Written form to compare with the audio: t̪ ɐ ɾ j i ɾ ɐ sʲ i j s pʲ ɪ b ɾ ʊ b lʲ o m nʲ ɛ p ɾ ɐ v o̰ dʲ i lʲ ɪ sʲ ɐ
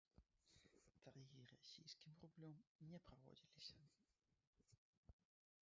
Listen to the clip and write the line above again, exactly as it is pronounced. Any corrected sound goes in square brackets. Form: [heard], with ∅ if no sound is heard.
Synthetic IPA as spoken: t̪ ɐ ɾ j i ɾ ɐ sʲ i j s [kʲ] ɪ [m] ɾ ʊ b lʲ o m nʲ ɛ p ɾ ɐ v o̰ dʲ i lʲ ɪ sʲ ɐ